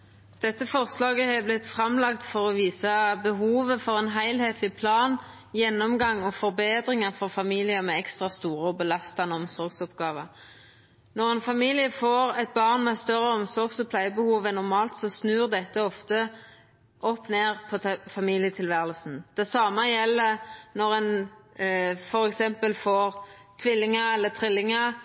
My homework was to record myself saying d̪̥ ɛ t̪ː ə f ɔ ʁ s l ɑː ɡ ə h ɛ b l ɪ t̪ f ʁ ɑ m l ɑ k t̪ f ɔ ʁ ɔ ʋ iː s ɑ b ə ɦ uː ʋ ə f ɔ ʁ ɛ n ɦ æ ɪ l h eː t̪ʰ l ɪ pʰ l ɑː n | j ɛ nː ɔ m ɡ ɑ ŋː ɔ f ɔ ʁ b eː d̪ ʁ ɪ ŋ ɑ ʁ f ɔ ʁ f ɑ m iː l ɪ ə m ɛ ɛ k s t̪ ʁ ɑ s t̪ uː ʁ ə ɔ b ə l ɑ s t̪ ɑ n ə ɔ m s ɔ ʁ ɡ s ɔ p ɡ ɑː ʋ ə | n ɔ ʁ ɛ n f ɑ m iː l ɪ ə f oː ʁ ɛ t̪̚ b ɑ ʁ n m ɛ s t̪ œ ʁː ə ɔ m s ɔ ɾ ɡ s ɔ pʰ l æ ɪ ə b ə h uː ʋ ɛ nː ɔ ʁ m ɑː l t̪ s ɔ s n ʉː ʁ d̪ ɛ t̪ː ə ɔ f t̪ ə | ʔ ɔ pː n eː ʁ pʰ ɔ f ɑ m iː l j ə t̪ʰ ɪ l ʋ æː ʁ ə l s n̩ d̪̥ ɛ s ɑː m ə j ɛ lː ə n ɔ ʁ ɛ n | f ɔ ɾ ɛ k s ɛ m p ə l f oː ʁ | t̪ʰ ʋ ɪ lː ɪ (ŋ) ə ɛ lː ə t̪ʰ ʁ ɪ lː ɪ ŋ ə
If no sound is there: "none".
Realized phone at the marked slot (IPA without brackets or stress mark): ŋ